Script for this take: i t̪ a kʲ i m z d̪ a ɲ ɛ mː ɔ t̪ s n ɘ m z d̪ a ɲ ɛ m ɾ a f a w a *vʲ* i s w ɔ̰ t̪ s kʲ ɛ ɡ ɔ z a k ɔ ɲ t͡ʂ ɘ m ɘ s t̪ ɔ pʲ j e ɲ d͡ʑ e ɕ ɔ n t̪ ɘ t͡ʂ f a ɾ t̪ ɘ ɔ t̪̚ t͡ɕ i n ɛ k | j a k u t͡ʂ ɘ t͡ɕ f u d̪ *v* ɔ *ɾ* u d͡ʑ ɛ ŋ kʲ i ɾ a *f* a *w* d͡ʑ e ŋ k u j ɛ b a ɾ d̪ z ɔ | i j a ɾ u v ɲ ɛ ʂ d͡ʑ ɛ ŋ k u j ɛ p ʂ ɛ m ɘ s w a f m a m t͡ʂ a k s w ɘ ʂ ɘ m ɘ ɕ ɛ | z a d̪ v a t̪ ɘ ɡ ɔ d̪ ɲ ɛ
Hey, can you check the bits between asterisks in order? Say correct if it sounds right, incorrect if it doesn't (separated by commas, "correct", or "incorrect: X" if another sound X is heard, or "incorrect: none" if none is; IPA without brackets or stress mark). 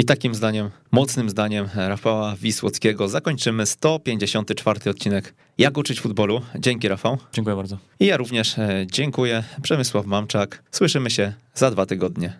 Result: correct, incorrect: b, incorrect: l, correct, correct